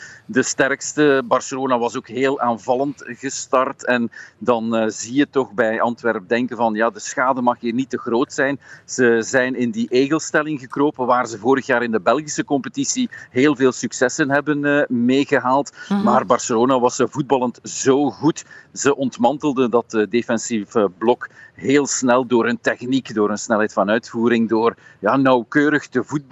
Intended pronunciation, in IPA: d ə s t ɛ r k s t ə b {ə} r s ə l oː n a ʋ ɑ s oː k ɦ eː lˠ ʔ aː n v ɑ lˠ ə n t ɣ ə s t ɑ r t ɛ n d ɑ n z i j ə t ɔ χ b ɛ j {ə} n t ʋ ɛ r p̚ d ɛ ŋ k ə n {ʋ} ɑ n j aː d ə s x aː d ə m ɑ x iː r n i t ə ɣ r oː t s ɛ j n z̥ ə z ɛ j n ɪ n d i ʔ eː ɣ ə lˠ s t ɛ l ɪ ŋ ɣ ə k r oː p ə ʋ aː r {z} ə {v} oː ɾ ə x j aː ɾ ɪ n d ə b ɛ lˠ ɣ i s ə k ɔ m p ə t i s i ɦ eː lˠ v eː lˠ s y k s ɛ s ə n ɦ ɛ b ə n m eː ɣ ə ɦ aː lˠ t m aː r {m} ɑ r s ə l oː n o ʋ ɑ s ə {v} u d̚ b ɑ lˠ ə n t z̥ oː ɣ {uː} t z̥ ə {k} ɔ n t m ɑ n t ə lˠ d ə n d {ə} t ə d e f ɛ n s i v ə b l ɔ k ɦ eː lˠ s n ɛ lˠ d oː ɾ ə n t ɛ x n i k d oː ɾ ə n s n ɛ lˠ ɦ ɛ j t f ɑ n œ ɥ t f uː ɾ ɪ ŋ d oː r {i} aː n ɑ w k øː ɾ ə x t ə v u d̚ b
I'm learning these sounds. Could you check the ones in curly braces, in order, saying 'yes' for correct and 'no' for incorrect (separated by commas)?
no, no, no, yes, yes, no, yes, no, no, no, no